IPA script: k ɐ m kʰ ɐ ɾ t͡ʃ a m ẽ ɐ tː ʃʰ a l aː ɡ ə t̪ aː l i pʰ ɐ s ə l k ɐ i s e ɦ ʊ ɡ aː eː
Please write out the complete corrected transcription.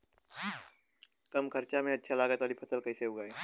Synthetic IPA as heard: k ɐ m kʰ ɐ ɾ t͡ʃ a m ẽ ɐ tː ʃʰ a l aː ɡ ə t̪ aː l i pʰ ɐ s ə l k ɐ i s e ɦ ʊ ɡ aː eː